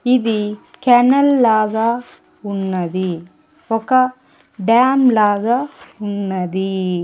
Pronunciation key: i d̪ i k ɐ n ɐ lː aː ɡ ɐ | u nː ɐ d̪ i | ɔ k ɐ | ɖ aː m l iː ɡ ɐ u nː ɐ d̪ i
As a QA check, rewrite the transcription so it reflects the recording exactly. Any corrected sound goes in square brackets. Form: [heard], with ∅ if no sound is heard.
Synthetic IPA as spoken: i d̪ i k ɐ n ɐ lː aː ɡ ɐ | u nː ɐ d̪ i | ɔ k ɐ | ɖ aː m l [aː] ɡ ɐ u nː ɐ d̪ i